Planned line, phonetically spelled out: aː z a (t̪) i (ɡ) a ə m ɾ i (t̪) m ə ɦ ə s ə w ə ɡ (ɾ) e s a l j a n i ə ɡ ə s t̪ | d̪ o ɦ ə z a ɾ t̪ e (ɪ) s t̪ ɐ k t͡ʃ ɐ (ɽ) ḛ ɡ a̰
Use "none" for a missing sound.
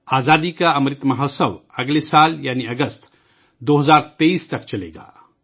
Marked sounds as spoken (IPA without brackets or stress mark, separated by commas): d̪, k, t̪, l, i, l